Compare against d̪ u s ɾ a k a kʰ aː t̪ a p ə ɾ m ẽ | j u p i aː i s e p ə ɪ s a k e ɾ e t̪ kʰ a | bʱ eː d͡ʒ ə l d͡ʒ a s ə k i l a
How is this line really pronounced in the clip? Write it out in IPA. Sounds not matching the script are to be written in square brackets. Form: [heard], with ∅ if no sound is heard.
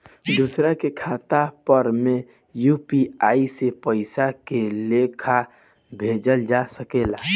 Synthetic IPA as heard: d̪ u s ɾ a k [e] kʰ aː t̪ a p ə ɾ m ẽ | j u p i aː i s e p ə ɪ s a k e [l] e [∅] kʰ a | bʱ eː d͡ʒ ə l d͡ʒ a s ə k [e] l a